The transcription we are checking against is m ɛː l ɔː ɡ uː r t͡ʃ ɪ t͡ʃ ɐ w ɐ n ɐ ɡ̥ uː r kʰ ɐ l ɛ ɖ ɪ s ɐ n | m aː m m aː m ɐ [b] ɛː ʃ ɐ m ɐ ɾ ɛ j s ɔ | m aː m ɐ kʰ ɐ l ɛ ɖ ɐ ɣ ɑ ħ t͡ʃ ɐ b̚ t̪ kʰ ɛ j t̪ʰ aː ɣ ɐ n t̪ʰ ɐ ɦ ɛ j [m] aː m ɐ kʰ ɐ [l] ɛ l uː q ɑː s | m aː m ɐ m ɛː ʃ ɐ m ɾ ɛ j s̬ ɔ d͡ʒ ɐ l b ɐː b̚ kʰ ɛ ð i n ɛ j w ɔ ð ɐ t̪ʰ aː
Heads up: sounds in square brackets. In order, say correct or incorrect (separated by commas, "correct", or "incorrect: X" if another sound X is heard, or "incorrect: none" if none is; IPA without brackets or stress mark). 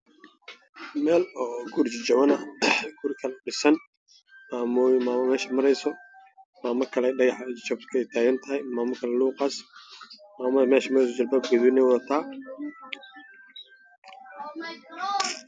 incorrect: m, correct, correct